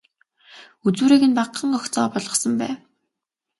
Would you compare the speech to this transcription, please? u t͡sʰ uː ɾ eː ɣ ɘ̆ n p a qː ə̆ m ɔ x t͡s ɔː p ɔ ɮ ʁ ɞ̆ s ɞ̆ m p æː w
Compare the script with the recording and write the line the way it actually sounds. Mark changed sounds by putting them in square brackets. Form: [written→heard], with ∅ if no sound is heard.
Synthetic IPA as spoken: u [t͡sʰ→t͡s] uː ɾ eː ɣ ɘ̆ n p a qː ə̆ [m→ŋ] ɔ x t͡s ɔː p ɔ ɮ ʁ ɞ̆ s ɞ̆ m p æː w

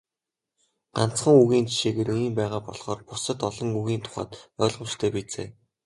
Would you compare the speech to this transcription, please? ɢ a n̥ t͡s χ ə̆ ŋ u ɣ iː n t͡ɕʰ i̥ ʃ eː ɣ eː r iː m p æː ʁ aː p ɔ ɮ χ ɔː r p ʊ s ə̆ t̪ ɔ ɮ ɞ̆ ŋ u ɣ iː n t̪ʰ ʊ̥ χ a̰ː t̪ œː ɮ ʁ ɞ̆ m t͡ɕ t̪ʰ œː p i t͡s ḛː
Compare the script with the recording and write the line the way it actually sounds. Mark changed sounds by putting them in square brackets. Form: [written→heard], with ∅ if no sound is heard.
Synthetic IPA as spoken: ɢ a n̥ t͡s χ ə̆ ŋ u ɣ iː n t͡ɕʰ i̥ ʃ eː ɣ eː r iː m p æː ʁ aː p ɔ ɮ χ ɔː r p ʊ s ə̆ t̪ ɔ ɮ ɞ̆ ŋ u ɣ iː n t̪ʰ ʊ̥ χ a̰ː t̪ œː ɮ ʁ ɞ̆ m t͡ɕ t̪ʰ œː p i t͡s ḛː

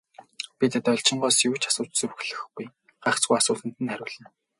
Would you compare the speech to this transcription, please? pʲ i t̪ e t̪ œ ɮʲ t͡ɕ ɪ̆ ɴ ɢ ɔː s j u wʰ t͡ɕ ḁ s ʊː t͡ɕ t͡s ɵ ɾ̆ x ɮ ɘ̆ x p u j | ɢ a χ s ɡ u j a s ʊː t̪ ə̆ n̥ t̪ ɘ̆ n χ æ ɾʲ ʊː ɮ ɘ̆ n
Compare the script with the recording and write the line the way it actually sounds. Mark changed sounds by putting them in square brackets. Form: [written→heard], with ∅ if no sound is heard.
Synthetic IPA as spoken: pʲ i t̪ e t̪ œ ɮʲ t͡ɕ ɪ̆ ɴ ɢ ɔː s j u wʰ t͡ɕ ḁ s ʊː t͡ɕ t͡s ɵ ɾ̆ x ɮ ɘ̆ x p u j | ɢ a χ [s→t͡s] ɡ u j a s ʊː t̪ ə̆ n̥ t̪ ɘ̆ n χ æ ɾʲ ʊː ɮ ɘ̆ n

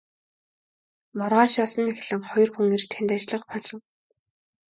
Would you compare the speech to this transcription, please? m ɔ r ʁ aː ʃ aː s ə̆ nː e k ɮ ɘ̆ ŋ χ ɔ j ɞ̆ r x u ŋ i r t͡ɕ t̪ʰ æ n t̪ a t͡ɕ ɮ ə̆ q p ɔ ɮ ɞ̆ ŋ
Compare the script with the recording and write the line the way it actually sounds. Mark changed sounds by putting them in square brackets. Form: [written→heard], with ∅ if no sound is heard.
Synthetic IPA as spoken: m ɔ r ʁ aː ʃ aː s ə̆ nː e [k→x] ɮ ɘ̆ ŋ χ ɔ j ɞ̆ r x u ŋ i r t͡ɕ t̪ʰ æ n t̪ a t͡ɕ ɮ ə̆ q p ɔ ɮ ɞ̆ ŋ

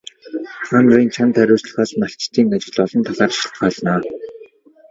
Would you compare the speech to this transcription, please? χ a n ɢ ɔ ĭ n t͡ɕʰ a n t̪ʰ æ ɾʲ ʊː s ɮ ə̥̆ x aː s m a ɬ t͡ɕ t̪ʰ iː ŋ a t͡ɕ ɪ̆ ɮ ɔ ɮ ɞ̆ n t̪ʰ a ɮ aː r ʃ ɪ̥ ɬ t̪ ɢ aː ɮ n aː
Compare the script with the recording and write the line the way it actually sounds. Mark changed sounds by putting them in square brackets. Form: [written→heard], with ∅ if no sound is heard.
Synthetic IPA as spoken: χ a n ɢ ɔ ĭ n t͡ɕʰ a n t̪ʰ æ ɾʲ ʊː s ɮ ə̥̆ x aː s m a ɬ t͡ɕ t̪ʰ iː ŋ a t͡ɕ ɪ̆ ɮ ɔ ɮ ɞ̆ n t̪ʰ a ɮ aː r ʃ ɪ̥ ɬ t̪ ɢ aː ɮ n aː

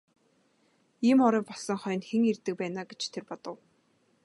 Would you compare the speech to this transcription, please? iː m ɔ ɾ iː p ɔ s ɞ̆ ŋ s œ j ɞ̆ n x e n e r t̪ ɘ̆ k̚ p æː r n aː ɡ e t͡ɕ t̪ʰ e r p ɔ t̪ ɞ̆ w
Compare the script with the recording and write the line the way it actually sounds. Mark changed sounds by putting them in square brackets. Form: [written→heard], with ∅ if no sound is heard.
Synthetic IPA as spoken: iː m ɔ ɾ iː p ɔ s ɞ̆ ŋ [s→χ] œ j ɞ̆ n x e [n→ŋ] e r t̪ ɘ̆ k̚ p æː [r→∅] n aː ɡ e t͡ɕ t̪ʰ e r p ɔ t̪ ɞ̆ w

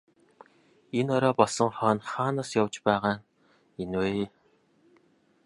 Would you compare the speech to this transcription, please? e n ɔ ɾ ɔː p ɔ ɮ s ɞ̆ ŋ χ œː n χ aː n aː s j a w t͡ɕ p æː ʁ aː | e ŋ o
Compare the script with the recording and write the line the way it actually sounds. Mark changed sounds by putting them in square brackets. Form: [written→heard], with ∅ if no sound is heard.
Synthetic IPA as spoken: e n ɔ ɾ ɔː p ɔ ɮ s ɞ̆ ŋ χ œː n χ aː n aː s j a w t͡ɕ p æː ʁ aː | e [ŋ→n] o

